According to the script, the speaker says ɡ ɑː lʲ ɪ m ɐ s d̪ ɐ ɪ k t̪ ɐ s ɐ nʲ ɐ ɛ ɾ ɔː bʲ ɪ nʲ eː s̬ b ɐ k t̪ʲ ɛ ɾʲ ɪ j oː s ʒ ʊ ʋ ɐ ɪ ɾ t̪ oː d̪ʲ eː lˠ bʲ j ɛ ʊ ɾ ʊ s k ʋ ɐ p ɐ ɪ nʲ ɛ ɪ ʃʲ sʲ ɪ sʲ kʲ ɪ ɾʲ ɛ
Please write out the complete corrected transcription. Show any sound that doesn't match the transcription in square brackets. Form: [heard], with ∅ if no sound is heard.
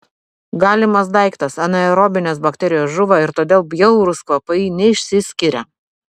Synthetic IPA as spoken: ɡ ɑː lʲ ɪ m ɐ s d̪ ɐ ɪ k t̪ ɐ s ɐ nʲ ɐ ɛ ɾ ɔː bʲ ɪ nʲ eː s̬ b ɐ k t̪ʲ ɛ ɾʲ ɪ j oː s ʒ ʊ ʋ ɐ ɪ ɾ t̪ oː d̪ʲ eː lˠ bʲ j ɛ ʊ ɾ ʊ s k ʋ ɐ p ɐ ɪ nʲ ɛ ɪ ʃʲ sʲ ɪ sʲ kʲ ɪ ɾʲ ɛ

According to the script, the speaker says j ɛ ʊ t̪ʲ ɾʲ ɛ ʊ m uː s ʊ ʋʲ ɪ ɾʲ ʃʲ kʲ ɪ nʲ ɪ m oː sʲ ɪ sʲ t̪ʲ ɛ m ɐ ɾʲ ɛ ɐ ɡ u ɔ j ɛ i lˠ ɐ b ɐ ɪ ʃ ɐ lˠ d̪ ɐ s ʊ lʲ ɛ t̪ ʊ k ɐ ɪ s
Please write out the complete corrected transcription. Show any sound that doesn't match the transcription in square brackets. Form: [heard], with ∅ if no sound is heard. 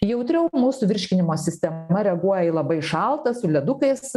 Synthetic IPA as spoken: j ɛ ʊ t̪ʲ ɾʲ ɛ ʊ m uː s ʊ ʋʲ ɪ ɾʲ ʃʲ kʲ ɪ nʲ ɪ m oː sʲ ɪ sʲ t̪ʲ ɛ m ɐ ɾʲ ɛ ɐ ɡ u ɔ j ɛ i lˠ ɐ b ɐ ɪ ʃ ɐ lˠ [t̪] ɐ s ʊ lʲ ɛ [d̪] ʊ k ɐ ɪ s

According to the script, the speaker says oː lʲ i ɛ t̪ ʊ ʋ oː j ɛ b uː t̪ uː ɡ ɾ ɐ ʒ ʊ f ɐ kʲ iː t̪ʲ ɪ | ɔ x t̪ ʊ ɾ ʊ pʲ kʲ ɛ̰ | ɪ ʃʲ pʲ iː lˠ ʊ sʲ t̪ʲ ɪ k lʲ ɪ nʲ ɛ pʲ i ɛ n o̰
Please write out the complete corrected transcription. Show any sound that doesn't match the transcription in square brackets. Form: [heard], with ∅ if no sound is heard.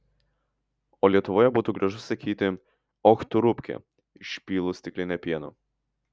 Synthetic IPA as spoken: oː lʲ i ɛ t̪ ʊ ʋ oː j ɛ b uː t̪ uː ɡ ɾ ɐ ʒ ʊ [s] ɐ kʲ iː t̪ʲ ɪ | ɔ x t̪ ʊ ɾ ʊ pʲ kʲ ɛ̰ | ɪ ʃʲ pʲ iː lˠ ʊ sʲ t̪ʲ ɪ k lʲ ɪ nʲ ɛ pʲ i ɛ n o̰

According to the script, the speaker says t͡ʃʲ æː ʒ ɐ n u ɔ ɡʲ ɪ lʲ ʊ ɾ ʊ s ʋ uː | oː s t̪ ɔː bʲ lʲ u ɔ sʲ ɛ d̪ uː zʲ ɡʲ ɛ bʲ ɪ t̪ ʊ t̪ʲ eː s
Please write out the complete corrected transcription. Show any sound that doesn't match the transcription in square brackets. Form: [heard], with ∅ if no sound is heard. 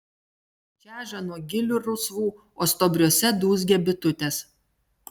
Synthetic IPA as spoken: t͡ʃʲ æː ʒ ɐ n u ɔ ɡʲ ɪ lʲ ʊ ɾ ʊ s ʋ uː | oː s t̪ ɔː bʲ [ɾʲ] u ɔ sʲ ɛ d̪ uː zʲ ɡʲ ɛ bʲ ɪ t̪ ʊ t̪ʲ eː s

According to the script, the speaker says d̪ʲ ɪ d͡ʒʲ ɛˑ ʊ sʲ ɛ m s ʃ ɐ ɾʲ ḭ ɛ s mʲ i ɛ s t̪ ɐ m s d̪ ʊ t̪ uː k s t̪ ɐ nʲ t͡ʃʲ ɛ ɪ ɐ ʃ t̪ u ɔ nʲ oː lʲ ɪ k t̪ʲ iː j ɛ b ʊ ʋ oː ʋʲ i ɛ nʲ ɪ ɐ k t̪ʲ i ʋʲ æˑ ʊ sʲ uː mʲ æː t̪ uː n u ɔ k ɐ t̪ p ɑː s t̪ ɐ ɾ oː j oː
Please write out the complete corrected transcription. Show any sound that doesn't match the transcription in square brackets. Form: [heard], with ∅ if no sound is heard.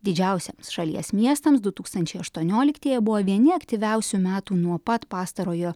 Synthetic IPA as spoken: d̪ʲ ɪ d͡ʒʲ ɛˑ ʊ sʲ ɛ m s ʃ ɐ [lʲ] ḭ ɛ s mʲ i ɛ s t̪ ɐ m s d̪ ʊ t̪ uː k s t̪ ɐ nʲ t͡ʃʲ ɛ ɪ ɐ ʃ t̪ u ɔ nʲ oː lʲ ɪ k t̪ʲ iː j ɛ b ʊ ʋ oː ʋʲ i ɛ nʲ ɪ ɐ k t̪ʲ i ʋʲ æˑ ʊ sʲ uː mʲ æː t̪ uː n u ɔ [p] ɐ t̪ p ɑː s t̪ ɐ ɾ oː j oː

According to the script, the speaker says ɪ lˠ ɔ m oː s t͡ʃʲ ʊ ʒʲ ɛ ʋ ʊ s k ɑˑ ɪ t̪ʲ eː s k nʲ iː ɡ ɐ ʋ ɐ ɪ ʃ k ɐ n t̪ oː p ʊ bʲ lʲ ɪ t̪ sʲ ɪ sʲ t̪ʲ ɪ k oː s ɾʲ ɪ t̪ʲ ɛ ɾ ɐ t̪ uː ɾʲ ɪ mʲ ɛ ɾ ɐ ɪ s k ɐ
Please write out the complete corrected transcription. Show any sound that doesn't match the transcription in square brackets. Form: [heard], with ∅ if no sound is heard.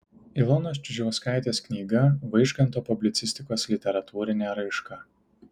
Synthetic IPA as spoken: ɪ lˠ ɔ [n] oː s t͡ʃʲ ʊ ʒʲ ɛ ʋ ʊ s k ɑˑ ɪ t̪ʲ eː s k nʲ iː ɡ ɐ ʋ ɐ ɪ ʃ k ɐ n t̪ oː p ʊ bʲ lʲ ɪ t̪ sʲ ɪ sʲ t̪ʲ ɪ k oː s [lʲ] ɪ t̪ʲ ɛ ɾ ɐ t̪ uː ɾʲ ɪ [nʲ] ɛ ɾ ɐ ɪ [ʃ] k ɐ

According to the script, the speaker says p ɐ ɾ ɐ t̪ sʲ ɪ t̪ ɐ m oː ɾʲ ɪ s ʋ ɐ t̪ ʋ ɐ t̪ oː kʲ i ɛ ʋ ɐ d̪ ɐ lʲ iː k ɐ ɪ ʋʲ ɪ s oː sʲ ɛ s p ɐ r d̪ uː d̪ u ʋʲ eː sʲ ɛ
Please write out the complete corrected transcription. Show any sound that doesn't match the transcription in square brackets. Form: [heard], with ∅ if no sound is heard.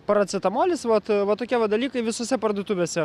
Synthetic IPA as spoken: p ɐ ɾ ɐ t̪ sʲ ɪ t̪ ɐ m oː [lʲ] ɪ s ʋ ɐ t̪ ʋ ɐ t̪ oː kʲ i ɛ ʋ ɐ d̪ ɐ lʲ iː k ɐ ɪ ʋʲ ɪ s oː sʲ ɛ [∅] p ɐ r d̪ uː [t̪] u ʋʲ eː sʲ ɛ

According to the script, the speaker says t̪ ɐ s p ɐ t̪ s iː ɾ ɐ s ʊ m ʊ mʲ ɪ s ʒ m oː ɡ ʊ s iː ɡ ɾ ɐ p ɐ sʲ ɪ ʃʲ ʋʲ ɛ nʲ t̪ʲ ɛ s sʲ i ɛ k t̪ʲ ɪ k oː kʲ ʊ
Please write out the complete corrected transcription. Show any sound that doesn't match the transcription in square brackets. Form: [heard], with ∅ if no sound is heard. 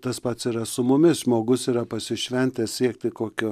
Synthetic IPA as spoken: t̪ ɐ s p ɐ t̪ s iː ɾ ɐ s ʊ m ʊ mʲ ɪ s ʒ m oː ɡ ʊ s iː [∅] ɾ ɐ p ɐ sʲ ɪ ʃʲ ʋʲ ɛ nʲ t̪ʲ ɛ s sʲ i ɛ k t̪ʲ ɪ k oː kʲ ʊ

